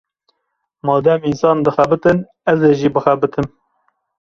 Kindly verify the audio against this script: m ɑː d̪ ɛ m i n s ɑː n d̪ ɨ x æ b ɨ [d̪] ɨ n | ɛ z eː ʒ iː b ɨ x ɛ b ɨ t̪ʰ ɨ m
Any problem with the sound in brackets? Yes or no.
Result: yes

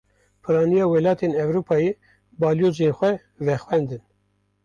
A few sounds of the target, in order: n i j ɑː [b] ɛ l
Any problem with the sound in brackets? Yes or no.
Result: yes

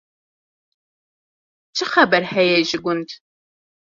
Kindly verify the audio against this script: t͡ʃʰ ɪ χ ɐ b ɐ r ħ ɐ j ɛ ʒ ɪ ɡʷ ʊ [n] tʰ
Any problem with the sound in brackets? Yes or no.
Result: no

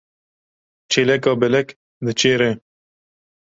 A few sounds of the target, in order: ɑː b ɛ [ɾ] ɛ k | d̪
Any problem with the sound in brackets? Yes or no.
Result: yes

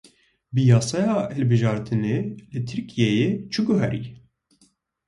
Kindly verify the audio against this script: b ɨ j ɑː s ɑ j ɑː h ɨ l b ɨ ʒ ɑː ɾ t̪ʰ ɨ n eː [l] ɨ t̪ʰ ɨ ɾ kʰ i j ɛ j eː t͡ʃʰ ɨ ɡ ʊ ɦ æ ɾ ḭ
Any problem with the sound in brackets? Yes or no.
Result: no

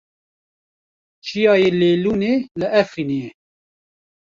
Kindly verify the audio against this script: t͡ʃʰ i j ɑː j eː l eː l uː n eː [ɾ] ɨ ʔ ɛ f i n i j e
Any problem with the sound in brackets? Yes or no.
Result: yes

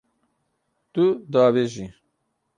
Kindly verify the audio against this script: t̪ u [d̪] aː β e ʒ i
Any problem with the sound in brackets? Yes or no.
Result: no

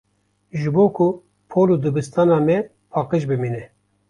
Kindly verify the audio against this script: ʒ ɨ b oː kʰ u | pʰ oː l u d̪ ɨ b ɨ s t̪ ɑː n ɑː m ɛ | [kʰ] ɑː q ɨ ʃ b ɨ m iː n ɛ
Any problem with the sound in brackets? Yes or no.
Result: yes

